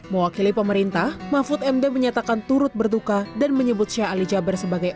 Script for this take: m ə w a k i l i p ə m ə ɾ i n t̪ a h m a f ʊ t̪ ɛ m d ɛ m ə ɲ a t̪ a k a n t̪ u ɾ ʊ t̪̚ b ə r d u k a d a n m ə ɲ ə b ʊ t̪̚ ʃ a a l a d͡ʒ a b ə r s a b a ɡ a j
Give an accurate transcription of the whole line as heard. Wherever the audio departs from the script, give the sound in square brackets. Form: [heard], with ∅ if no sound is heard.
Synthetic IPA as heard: m ə w a k i l i p ə m ə ɾ i n t̪ a h m a f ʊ t̪ ɛ m d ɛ m ə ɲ a t̪ a k a n t̪ u ɾ ʊ t̪̚ b ə r d u k a d a n m ə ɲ ə b ʊ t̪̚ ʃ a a l [i] d͡ʒ a b ə r s [ə] b a ɡ a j